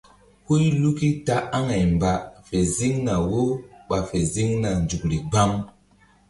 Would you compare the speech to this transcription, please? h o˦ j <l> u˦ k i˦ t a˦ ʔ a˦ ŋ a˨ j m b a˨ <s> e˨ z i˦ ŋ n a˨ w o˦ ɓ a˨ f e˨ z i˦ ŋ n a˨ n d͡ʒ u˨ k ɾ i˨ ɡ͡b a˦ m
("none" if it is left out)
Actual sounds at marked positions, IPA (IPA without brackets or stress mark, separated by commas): l, f